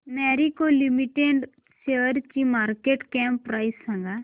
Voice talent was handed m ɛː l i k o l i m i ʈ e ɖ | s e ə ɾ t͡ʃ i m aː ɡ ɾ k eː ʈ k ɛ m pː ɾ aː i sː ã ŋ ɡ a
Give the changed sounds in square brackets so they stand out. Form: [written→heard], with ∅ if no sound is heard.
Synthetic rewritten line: m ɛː [l→ɾ] i k o l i m i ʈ e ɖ | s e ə ɾ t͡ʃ i m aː [ɡ→∅] ɾ k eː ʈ k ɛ m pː ɾ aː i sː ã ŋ ɡ a